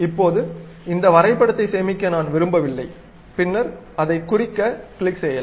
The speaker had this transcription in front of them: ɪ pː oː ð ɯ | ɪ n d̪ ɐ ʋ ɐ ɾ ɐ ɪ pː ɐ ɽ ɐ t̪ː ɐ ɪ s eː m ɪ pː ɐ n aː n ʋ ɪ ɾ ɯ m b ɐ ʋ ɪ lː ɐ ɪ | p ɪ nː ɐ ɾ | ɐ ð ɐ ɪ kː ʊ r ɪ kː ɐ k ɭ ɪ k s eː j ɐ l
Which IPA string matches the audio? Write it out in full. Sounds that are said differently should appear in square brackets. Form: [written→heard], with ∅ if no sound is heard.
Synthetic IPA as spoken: ɪ pː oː ð ɯ | ɪ n d̪ ɐ ʋ ɐ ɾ ɐ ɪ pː ɐ ɽ ɐ t̪ː ɐ ɪ s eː m ɪ [pː→kː] ɐ n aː n ʋ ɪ ɾ ɯ m b ɐ ʋ ɪ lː ɐ ɪ | p ɪ nː ɐ ɾ | ɐ ð ɐ ɪ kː ʊ r ɪ kː ɐ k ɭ ɪ k s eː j ɐ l